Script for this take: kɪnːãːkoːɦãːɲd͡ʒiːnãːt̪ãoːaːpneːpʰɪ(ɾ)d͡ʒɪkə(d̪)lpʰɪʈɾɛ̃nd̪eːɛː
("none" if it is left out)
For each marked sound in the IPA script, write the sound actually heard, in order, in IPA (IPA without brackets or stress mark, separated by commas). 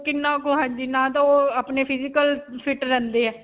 none, none